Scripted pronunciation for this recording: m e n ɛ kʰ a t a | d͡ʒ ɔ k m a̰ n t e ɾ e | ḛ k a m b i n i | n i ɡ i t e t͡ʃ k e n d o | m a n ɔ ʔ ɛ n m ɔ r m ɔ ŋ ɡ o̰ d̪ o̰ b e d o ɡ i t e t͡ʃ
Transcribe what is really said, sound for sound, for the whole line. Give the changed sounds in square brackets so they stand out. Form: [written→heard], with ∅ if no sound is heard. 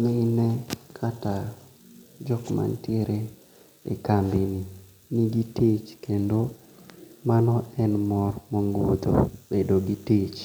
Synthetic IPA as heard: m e n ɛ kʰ a t a | d͡ʒ ɔ k m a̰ n t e ɾ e | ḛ k a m b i n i | n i ɡ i t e t͡ʃ k e n d o | m a n ɔ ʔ ɛ n m ɔ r m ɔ ŋ ɡ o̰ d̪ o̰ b e d o ɡ i t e t͡ʃ